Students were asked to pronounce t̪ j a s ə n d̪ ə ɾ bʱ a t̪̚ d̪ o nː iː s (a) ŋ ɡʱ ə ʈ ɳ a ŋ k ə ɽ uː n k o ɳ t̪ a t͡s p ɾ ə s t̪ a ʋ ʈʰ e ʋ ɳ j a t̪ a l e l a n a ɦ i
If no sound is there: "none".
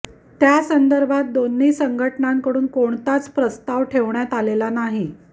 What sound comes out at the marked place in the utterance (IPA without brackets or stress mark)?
ə